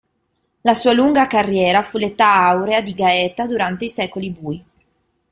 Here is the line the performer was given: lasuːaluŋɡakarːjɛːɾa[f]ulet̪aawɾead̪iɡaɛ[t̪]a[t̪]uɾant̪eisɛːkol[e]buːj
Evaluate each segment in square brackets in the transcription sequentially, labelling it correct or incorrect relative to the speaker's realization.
correct, correct, incorrect: d̪, incorrect: i

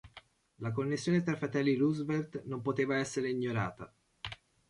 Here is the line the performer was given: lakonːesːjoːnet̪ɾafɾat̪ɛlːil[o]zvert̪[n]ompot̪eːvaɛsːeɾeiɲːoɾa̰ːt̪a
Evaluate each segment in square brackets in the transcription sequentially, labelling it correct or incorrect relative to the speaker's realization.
incorrect: u, correct

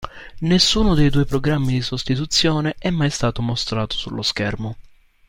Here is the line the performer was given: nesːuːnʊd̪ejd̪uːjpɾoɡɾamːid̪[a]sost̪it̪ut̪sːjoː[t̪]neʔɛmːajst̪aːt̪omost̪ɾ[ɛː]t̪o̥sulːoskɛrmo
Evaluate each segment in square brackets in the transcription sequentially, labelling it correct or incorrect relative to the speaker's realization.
incorrect: i, incorrect: none, incorrect: aː

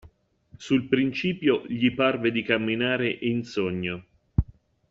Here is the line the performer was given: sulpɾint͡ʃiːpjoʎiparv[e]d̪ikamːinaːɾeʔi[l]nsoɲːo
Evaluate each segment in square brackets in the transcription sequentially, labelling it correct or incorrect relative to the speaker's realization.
correct, incorrect: none

